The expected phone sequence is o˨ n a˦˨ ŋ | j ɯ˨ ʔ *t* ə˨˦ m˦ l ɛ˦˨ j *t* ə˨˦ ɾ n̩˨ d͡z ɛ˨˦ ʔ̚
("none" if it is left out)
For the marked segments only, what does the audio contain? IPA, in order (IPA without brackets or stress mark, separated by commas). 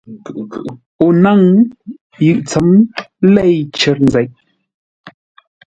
t͡s, t͡ʃ